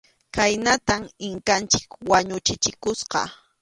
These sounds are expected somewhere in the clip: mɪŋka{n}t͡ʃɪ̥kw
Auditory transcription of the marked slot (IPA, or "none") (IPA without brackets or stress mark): n